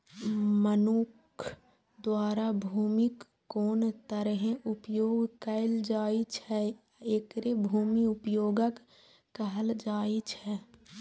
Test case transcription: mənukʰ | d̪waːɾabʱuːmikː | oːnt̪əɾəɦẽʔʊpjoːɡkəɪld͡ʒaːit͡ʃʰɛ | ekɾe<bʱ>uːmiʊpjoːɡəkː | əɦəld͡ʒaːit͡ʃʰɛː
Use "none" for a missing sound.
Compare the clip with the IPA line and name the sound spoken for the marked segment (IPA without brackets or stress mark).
bʱ